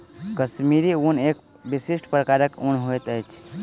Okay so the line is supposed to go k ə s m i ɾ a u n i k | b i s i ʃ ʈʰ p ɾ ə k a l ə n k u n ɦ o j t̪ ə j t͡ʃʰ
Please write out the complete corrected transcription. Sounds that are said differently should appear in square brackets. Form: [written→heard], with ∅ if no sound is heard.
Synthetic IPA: k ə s m i ɾ [a→i] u n [i→e] k | b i s i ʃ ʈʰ p ɾ ə k a [l→ɾ] ə [n→∅] k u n ɦ o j t̪ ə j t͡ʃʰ